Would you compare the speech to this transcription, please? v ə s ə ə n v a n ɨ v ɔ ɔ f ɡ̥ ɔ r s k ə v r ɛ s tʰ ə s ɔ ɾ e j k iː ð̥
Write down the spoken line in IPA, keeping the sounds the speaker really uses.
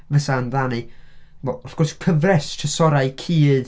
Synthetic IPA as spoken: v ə s a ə n ð a n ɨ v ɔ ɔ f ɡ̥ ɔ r s kʰ ə v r ɛ s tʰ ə s ɔ ɾ a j kʰ iː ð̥